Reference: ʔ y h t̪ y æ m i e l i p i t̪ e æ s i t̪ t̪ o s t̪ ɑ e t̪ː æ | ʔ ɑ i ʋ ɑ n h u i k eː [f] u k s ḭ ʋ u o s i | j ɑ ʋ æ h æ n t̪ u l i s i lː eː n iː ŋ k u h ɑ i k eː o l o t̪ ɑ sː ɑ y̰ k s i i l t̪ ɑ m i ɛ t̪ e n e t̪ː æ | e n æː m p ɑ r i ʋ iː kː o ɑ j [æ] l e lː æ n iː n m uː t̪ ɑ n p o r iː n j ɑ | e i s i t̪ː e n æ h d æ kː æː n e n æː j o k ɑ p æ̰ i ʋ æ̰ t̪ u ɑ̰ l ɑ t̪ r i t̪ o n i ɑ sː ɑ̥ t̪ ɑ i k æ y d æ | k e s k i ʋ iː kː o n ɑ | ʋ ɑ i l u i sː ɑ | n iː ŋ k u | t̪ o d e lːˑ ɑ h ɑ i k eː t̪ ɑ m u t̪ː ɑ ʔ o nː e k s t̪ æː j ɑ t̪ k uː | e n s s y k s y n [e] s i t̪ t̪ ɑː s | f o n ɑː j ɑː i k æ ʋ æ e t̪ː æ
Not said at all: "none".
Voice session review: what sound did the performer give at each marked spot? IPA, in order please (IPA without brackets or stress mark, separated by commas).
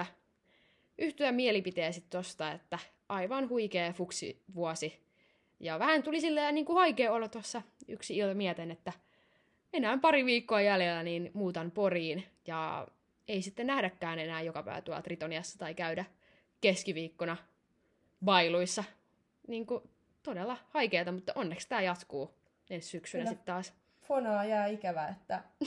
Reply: f, æ, æ